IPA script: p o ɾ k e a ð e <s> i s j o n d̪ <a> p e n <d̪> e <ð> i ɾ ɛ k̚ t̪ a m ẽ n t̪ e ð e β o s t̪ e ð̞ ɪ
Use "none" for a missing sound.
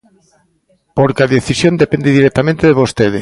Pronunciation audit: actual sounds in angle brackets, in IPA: θ, e, d̪, ð

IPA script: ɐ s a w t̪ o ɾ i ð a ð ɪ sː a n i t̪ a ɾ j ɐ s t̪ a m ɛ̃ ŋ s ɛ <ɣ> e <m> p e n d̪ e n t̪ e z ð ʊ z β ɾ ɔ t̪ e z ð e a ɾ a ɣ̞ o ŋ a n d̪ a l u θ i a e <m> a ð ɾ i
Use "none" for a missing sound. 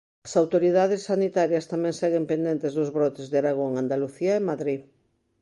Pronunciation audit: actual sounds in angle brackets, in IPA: ɣ, m, m

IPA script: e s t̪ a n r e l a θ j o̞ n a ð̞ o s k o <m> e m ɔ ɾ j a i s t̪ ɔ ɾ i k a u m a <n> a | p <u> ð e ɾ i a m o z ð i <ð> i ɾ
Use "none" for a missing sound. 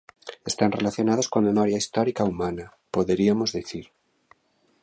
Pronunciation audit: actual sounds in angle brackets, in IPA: m, n, o, θ

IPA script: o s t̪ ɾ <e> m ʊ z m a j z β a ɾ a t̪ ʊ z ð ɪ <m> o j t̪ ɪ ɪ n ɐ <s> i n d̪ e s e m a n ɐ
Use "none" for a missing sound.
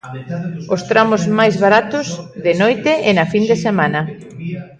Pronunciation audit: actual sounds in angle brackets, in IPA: a, n, f

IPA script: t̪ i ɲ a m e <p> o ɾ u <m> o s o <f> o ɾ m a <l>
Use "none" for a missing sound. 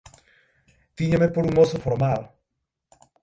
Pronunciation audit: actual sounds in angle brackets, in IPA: p, ŋ, f, l

